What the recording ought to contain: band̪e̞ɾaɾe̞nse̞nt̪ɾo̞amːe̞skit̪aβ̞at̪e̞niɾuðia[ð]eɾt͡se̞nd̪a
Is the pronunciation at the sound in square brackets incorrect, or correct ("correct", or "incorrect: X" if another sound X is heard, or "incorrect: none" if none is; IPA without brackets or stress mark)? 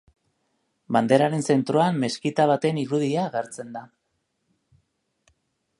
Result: incorrect: ɣ